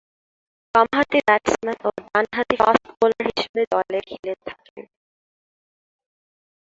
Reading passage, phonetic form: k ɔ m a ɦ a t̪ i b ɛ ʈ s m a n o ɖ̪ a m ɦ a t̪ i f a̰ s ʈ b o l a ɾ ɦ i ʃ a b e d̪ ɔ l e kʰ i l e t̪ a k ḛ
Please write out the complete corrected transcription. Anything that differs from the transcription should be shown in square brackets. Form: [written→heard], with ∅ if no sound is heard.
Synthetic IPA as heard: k ɔ m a ɦ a t̪ i b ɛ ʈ s m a n o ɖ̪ a [m→n] ɦ a t̪ i f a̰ s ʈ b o l a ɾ ɦ i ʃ [a→e] b e d̪ ɔ l e kʰ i l e [t̪→t̪ʰ] a k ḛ